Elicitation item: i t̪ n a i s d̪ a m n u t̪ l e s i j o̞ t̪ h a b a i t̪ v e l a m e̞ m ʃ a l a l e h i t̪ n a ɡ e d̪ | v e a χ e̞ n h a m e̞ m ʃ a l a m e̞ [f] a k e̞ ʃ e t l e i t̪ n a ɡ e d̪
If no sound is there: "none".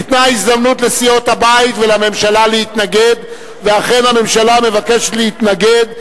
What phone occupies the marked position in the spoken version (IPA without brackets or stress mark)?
v